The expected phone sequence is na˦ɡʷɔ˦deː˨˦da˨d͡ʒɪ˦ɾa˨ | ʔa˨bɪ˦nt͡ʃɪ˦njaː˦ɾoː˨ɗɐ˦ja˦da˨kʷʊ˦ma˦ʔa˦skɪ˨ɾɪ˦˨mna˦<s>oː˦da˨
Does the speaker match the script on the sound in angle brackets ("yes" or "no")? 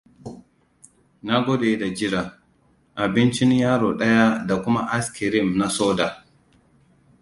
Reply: yes